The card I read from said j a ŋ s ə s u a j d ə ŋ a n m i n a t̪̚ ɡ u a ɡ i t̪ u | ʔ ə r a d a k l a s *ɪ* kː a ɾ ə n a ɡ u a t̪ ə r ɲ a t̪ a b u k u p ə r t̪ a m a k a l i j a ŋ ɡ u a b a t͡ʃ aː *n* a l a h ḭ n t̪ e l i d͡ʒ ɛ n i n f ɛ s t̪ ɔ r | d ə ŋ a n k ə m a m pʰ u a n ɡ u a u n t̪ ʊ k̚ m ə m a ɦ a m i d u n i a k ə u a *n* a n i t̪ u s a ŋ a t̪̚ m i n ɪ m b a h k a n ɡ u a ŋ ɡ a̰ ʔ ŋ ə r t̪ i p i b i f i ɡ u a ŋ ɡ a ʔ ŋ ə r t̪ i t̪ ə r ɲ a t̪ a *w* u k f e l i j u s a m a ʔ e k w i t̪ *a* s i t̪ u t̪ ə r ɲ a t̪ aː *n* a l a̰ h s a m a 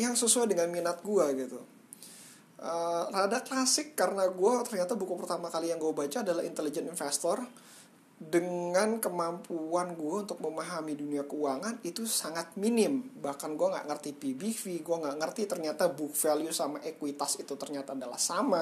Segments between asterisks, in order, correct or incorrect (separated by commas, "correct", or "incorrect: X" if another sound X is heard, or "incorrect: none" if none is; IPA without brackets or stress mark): correct, incorrect: d, incorrect: ŋ, incorrect: b, correct, incorrect: d